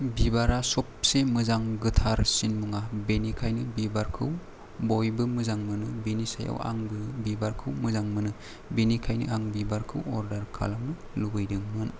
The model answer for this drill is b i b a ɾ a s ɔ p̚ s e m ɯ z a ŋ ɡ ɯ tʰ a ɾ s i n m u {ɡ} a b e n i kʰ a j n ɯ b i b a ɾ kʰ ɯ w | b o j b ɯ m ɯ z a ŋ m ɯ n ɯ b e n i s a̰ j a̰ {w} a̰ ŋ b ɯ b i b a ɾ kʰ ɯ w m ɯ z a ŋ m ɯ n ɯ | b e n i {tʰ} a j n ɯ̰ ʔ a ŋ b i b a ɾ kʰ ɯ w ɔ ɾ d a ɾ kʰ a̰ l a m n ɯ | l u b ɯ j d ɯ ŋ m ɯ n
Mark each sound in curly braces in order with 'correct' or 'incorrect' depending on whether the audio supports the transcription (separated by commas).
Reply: incorrect, correct, incorrect